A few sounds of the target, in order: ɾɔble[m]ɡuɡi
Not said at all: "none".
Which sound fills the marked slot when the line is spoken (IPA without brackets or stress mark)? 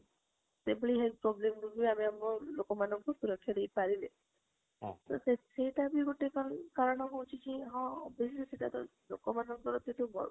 m